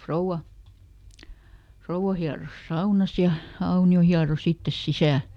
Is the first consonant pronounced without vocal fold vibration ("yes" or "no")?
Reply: yes